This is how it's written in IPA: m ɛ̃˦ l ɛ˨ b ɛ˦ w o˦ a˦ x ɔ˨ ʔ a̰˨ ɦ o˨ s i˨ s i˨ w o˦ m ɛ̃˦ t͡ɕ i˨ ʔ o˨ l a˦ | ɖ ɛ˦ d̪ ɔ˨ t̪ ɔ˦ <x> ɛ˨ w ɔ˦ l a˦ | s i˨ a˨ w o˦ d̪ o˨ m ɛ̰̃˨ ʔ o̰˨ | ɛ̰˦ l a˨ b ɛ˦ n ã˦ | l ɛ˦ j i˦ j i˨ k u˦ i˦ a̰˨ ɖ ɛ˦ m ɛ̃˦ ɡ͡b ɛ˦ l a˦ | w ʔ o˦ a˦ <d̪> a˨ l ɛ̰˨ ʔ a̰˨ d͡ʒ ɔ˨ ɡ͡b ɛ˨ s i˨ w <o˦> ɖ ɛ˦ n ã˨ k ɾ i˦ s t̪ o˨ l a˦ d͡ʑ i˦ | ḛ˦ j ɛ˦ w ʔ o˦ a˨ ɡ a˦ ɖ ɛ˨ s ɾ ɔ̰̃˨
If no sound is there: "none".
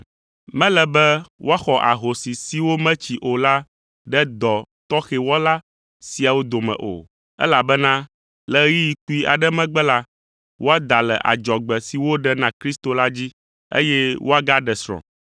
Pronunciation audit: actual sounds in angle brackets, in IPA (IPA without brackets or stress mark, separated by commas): x, d̪, o˦